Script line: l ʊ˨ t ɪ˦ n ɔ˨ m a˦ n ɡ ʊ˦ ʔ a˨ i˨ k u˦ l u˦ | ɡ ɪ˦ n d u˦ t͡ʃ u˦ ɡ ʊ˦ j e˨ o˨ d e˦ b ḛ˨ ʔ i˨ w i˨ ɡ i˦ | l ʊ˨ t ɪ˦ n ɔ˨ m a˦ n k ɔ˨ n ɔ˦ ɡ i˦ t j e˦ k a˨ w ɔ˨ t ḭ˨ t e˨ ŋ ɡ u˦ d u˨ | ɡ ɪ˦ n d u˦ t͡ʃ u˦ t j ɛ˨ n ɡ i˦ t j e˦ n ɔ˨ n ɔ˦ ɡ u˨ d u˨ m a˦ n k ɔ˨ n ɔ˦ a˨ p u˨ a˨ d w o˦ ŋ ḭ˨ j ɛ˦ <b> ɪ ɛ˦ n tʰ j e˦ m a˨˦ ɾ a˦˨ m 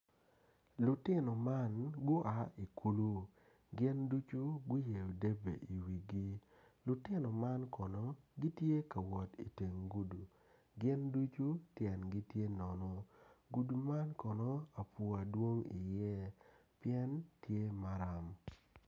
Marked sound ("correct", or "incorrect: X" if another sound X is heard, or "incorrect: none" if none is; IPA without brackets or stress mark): incorrect: p